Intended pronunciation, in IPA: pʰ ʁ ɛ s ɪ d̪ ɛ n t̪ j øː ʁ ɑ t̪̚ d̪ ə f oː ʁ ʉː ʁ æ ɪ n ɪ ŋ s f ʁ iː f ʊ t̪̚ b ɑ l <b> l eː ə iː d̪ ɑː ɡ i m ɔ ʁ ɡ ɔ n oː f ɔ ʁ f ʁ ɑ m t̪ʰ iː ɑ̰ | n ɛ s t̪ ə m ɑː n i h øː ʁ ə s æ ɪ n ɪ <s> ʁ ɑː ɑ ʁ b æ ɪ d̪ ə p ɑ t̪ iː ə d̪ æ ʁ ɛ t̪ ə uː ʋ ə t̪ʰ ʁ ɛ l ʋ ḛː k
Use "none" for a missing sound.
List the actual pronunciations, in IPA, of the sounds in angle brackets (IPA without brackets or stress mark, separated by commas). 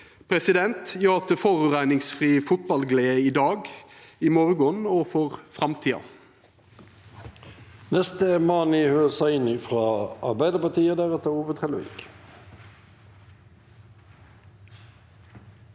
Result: ɡ, f